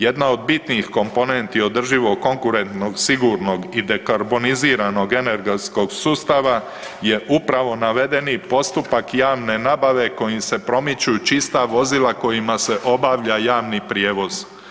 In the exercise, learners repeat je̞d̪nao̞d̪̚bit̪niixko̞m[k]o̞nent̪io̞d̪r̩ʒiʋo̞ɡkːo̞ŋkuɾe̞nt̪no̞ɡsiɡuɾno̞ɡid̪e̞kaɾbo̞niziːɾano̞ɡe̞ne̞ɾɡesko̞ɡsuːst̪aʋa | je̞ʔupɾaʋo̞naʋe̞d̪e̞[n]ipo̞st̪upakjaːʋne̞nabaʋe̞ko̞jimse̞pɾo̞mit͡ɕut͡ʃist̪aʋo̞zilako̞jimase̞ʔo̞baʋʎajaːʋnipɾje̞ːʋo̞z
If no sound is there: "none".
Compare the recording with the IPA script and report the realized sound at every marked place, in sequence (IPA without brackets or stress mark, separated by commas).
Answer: p, n